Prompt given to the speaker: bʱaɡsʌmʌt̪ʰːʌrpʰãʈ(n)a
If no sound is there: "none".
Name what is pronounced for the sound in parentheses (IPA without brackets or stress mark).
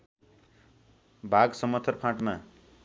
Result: m